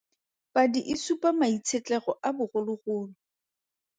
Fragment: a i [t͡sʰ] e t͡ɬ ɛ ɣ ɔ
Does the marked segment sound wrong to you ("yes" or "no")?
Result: no